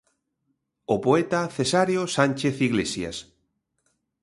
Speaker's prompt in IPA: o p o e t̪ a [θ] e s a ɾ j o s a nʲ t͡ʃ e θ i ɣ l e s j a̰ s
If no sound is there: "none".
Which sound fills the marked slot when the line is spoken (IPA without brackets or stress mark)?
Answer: θ